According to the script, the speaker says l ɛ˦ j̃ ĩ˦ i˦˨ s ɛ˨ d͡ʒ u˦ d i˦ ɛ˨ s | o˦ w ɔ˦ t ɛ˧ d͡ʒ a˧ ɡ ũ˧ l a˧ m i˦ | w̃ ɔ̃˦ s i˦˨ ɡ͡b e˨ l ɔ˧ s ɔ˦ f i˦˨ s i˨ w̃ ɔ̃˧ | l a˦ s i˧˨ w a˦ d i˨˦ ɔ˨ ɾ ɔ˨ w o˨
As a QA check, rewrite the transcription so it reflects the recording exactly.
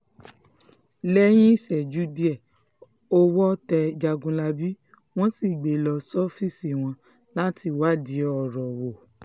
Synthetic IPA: l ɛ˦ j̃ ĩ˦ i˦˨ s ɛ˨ d͡ʒ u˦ d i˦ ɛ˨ | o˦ w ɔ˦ t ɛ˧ d͡ʒ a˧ ɡ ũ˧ l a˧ b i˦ | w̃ ɔ̃˦ s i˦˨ ɡ͡b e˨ l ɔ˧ s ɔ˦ f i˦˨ s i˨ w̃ ɔ̃˧ | l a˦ t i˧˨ w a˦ d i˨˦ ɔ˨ ɾ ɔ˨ w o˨

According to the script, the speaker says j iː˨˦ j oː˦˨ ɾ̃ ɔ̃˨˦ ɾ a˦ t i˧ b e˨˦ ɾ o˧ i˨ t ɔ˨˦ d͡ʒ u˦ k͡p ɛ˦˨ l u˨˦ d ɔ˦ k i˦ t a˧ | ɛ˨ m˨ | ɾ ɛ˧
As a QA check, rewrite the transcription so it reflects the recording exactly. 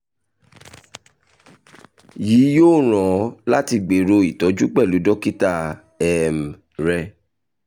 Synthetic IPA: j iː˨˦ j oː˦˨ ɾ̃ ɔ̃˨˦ l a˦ t i˧ ɡ͡b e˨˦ ɾ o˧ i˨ t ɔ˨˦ d͡ʒ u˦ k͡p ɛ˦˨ l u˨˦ d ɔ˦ k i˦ t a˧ | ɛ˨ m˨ | ɾ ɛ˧

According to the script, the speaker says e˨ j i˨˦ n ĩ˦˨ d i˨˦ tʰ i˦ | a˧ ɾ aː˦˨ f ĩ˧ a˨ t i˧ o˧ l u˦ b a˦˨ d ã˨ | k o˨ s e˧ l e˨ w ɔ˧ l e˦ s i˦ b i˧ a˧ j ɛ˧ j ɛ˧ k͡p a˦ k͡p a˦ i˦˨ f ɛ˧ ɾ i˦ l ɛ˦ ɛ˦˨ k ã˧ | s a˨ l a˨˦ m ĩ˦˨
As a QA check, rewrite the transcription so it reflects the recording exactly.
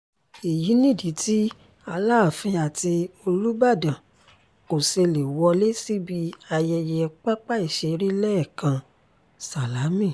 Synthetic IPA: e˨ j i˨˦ n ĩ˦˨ d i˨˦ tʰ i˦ | a˧ l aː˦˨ f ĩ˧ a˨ t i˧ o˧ l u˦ b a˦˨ d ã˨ | k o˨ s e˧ l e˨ w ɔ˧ l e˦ s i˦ b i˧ a˧ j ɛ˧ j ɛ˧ k͡p a˦ k͡p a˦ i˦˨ ʃ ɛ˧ ɾ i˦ l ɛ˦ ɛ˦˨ k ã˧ | s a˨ l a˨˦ m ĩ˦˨

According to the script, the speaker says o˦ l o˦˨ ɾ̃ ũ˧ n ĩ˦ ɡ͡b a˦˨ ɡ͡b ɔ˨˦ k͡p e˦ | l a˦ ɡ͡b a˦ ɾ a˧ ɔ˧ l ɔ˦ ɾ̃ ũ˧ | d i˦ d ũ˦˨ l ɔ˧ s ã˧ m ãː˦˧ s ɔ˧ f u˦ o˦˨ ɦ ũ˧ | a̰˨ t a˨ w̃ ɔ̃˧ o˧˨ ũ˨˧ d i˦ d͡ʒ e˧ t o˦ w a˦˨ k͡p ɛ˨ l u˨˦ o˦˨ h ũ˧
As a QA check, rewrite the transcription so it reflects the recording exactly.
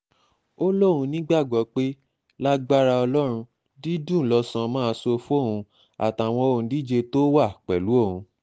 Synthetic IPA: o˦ l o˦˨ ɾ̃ ũ˧ n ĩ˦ ɡ͡b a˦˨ ɡ͡b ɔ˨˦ k͡p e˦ | l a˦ ɡ͡b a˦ ɾ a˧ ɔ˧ l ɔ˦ ɾ̃ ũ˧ | d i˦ d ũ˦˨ l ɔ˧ s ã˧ m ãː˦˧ s o˧ f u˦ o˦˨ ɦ ũ˧ | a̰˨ t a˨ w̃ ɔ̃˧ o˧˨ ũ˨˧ d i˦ d͡ʒ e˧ t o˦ w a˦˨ k͡p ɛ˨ l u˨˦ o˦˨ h ũ˧

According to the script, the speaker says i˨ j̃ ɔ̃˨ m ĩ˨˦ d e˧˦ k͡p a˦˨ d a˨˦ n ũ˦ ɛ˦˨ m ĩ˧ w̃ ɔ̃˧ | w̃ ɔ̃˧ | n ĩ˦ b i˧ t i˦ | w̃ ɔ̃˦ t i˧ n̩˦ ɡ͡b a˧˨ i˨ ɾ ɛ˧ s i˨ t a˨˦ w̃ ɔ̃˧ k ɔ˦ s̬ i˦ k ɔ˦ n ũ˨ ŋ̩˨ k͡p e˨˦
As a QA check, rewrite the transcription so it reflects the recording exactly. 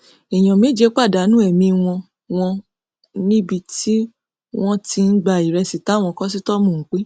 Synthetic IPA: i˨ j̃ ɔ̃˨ m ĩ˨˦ d͡ʒ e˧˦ k͡p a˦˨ d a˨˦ n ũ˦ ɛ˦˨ m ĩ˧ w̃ ɔ̃˧ | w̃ ɔ̃˧ | n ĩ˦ b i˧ t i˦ | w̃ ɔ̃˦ t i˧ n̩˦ ɡ͡b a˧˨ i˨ ɾ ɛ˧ s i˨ t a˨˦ w̃ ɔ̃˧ k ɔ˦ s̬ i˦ t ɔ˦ m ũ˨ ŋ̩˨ k͡p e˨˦

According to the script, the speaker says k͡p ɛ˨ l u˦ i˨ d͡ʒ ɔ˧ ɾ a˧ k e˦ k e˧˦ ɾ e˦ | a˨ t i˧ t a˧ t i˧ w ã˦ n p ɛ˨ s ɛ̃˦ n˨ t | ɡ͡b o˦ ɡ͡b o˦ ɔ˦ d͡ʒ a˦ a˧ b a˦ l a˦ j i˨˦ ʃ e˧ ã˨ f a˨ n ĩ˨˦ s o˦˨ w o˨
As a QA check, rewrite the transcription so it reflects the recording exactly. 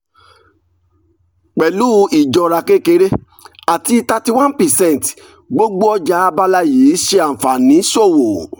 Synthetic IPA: k͡p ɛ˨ l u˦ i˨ d͡ʒ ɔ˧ ɾ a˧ k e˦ k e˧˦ ɾ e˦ | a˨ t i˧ t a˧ t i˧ w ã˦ n p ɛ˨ s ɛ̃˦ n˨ t | ɡ͡b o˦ ɡ͡b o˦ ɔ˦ d͡ʒ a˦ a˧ b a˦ l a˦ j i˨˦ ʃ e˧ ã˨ f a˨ n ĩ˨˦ s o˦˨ w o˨

